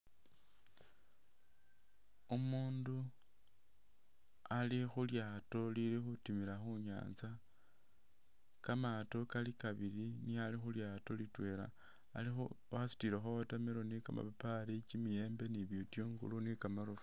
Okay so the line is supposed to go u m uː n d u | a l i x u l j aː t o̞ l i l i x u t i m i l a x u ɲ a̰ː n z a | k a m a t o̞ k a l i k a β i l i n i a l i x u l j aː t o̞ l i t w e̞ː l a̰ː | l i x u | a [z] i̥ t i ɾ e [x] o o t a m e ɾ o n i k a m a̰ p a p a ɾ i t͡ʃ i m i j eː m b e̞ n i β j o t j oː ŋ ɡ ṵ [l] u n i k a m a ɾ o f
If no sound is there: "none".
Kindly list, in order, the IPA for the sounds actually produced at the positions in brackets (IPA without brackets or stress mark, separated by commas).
s, x, l